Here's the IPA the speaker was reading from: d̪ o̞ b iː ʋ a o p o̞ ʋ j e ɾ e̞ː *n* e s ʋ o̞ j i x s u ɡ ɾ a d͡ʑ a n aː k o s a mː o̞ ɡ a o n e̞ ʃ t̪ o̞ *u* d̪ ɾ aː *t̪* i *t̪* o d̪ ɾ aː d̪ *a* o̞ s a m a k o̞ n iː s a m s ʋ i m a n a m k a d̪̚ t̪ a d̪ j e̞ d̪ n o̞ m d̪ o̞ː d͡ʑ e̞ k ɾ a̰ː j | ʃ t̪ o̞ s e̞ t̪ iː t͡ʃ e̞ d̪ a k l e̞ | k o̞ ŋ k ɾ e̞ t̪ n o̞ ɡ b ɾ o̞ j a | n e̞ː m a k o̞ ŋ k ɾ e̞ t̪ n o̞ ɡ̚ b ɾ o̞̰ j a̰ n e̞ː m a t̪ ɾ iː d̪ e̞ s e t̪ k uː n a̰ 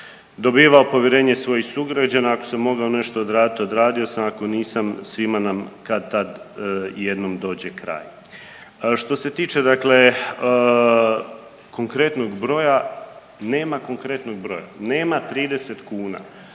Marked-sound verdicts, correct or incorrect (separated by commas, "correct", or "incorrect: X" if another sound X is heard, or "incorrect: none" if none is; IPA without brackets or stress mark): incorrect: ɲ, incorrect: o, incorrect: d̪, correct, incorrect: i